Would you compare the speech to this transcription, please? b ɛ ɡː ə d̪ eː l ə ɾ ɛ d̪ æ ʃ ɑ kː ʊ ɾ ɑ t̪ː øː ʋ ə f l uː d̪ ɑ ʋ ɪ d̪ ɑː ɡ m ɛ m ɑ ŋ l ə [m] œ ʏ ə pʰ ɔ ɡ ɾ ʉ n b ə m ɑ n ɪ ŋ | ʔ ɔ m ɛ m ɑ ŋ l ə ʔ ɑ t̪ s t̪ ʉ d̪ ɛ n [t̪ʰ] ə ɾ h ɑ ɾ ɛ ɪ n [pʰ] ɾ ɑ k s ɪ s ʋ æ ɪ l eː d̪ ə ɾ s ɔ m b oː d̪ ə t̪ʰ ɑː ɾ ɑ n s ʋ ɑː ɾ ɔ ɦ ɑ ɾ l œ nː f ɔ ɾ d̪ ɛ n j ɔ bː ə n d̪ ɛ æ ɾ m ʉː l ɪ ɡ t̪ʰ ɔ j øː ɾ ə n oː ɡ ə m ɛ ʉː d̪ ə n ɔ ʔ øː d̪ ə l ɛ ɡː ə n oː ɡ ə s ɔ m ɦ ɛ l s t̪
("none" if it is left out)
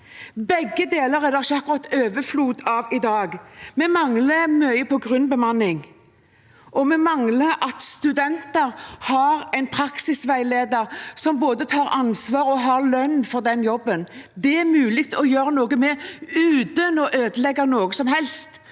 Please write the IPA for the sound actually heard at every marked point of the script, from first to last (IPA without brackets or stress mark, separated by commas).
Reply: m, t̪, pʰ